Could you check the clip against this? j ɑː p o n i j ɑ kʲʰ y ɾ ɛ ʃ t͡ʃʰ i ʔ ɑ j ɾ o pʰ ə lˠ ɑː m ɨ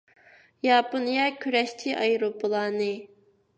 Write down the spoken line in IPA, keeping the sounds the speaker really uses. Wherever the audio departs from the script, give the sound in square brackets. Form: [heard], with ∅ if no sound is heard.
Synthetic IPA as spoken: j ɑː p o n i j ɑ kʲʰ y ɾ ɛ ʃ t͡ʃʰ i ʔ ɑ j ɾ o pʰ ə lˠ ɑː [n] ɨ